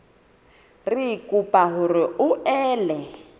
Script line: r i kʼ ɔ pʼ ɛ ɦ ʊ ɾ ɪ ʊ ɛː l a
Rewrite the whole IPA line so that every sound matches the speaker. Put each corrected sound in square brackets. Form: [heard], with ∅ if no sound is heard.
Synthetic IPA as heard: r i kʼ [u] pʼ [a] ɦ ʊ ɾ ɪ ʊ ɛː l [ɛ]